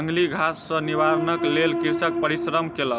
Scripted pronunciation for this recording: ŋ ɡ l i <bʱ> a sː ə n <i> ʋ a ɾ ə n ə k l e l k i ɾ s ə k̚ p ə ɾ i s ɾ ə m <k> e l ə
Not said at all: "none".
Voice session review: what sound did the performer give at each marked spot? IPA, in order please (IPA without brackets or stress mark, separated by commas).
ɡʱ, i, k